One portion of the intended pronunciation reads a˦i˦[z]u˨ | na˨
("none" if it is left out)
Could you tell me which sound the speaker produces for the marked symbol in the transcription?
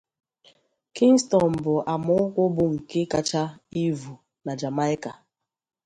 v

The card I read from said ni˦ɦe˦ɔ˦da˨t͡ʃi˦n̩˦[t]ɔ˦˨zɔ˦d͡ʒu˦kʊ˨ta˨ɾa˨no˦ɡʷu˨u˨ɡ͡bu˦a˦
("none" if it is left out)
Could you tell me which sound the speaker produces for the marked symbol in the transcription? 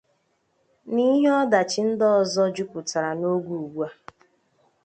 d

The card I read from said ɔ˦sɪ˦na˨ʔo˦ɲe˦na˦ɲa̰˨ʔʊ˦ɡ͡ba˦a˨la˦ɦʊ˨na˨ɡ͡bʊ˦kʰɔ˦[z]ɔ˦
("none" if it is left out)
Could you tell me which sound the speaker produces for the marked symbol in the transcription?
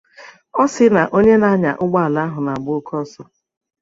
s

